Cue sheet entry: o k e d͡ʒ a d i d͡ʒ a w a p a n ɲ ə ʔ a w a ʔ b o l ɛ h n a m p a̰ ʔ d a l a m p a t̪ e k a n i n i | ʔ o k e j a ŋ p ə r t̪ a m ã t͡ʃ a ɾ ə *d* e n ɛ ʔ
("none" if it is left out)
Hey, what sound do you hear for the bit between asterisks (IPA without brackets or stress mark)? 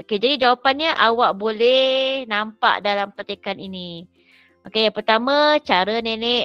n